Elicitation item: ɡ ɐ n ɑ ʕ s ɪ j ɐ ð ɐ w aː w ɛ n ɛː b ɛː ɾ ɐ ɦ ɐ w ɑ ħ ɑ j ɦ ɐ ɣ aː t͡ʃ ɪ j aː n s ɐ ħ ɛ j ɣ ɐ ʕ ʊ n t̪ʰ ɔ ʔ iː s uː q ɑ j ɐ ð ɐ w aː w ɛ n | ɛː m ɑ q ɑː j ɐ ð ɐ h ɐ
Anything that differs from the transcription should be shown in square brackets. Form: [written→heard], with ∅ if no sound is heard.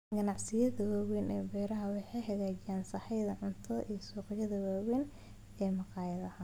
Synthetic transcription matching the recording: ɡ ɐ n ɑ ʕ s ɪ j ɐ ð ɐ w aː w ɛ n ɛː b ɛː ɾ ɐ ɦ ɐ w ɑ ħ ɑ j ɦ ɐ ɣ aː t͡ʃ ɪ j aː n s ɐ ħ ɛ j [ɣ→ð] ɐ ʕ ʊ n t̪ʰ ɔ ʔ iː s uː q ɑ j ɐ ð ɐ w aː w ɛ n | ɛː m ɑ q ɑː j ɐ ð ɐ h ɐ